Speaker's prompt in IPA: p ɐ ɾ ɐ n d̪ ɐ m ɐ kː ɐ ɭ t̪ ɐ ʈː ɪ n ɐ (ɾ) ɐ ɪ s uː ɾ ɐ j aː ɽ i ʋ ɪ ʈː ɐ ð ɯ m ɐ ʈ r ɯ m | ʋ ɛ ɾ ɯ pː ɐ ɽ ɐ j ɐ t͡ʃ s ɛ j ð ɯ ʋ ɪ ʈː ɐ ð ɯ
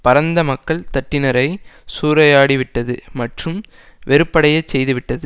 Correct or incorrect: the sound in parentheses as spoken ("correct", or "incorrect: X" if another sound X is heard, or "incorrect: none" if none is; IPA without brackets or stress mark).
correct